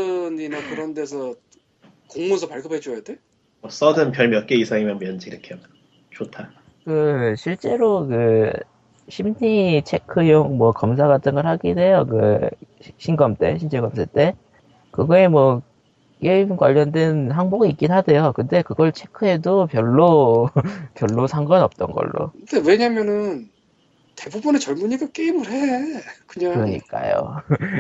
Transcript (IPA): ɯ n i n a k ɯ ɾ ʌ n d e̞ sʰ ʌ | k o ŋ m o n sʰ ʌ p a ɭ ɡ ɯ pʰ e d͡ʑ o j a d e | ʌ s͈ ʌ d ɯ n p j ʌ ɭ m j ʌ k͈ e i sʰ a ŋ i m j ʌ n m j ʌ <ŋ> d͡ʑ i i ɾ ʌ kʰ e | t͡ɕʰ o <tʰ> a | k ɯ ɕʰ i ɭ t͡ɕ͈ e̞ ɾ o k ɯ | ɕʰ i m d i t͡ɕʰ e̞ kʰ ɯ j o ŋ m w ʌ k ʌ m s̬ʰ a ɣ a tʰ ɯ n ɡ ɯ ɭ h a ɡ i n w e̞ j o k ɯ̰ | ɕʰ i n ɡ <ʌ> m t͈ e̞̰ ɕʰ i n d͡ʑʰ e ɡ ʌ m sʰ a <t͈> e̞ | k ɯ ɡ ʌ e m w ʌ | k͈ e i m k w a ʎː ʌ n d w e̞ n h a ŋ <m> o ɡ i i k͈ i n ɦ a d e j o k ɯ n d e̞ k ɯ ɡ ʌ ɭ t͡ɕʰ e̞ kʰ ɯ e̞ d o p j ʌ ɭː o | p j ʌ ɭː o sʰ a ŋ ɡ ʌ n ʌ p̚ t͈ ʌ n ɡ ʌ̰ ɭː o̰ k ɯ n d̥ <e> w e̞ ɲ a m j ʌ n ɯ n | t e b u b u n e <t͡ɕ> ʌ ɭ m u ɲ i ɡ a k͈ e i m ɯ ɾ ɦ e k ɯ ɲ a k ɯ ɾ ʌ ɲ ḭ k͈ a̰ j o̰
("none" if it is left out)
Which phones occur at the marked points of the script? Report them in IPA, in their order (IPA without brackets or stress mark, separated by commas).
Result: n, tʰ, ʌ, t͈, b, e, t͡ɕ